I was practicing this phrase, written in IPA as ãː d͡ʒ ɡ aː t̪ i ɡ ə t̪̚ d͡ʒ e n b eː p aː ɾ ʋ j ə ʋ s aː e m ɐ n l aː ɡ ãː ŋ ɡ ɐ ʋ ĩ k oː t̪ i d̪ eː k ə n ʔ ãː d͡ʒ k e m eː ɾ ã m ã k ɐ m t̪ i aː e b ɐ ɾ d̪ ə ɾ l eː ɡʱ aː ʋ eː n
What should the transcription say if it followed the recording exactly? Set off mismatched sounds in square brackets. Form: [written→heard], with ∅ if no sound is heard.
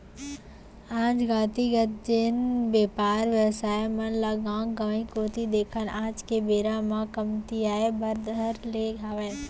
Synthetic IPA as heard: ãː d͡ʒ ɡ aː t̪ i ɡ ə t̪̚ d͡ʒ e n b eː p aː ɾ ʋ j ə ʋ s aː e m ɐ n l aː ɡ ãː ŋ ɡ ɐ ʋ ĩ k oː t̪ i d̪ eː [k→kʰ] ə n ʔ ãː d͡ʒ k e [m→b] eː ɾ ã m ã k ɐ m t̪ i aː e b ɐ ɾ d̪ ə ɾ l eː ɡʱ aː ʋ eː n